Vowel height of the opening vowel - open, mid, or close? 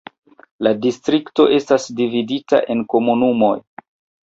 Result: open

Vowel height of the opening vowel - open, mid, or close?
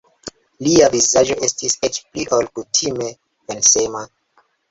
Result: close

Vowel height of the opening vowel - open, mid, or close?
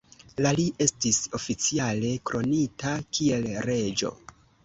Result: open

